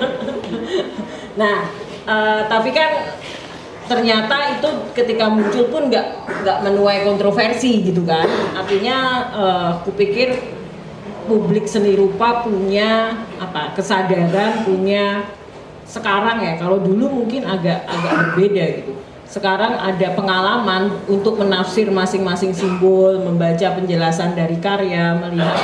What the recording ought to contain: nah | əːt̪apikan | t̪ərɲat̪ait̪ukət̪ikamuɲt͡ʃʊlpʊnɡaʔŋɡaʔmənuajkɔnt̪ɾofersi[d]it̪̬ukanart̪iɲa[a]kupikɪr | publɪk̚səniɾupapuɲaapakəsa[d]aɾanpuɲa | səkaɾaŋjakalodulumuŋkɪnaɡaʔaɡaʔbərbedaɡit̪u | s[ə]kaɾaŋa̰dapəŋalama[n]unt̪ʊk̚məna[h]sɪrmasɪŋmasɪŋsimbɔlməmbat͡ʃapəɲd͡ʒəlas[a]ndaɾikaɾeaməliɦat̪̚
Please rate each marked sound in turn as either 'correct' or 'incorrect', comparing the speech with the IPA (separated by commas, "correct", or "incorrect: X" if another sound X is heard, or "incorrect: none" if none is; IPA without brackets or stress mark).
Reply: incorrect: ɡ, incorrect: ə, correct, correct, correct, incorrect: f, correct